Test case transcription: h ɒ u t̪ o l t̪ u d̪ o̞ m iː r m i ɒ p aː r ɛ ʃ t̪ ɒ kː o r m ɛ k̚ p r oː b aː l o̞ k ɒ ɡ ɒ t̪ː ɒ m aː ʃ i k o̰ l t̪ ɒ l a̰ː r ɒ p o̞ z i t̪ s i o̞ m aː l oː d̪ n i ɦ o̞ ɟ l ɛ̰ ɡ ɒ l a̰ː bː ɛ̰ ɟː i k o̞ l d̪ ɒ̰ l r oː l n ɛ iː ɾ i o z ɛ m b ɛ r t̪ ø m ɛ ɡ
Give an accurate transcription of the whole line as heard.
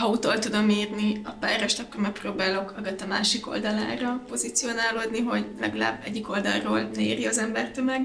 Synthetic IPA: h ɒ u t̪ o l t̪ u d̪ o̞ m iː r n i ɒ p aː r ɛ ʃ t̪ ɒ kː o r m ɛ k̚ p r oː b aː l o̞ k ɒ ɡ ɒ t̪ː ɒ m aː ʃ i k o̰ l d̪ ɒ l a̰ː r ɒ p o̞ z i t̪ s i o̞ n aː l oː d̪ n i ɦ o̞ ɟ l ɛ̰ ɡ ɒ l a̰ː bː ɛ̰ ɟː i k o̞ l d̪ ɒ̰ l r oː l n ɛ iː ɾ i ɒ z ɛ m b ɛ r t̪ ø m ɛ ɡ